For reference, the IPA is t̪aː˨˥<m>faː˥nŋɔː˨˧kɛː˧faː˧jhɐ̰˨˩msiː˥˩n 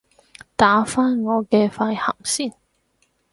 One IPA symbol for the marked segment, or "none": none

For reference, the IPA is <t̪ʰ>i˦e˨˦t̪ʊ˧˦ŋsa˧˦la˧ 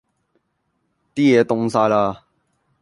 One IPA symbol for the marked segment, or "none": t̪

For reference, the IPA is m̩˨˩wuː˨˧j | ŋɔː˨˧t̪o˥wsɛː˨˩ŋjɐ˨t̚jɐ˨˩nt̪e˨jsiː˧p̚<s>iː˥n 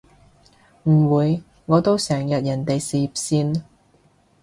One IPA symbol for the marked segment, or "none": s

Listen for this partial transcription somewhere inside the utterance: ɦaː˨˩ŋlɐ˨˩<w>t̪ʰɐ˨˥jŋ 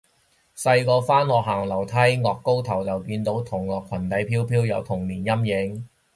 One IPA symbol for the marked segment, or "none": w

